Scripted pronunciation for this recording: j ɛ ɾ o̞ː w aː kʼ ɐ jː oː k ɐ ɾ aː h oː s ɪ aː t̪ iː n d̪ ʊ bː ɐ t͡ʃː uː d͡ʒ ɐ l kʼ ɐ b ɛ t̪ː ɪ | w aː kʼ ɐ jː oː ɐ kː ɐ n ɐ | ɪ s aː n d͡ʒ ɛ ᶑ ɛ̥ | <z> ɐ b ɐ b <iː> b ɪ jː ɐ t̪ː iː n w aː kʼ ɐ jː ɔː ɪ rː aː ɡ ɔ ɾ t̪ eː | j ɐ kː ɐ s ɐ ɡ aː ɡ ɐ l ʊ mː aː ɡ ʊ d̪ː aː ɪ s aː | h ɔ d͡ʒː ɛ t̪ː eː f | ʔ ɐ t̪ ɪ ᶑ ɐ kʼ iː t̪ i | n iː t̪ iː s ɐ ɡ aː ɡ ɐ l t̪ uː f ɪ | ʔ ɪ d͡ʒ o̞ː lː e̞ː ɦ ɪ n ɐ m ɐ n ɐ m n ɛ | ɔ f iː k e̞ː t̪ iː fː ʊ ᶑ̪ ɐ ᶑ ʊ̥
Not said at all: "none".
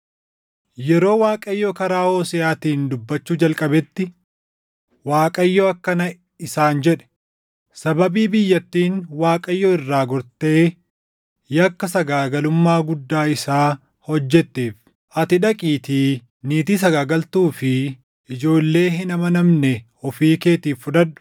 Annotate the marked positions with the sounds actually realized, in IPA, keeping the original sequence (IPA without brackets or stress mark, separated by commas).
s, iː